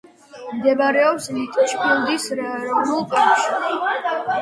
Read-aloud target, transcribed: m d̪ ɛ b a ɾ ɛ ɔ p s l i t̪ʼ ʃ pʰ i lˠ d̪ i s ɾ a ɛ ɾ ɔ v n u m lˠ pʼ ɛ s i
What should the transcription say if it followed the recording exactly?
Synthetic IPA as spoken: m d̪ ɛ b a ɾ ɛ ɔ p s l i t̪ʼ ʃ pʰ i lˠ d̪ i s ɾ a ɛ ɾ ɔ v n u lˠ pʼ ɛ ʃ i